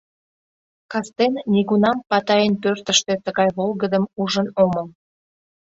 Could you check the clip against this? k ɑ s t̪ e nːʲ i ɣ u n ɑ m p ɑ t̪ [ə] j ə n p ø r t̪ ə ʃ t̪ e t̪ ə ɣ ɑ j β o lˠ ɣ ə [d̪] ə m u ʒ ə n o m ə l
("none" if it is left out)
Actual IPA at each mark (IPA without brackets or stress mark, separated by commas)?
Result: ɑ, d̪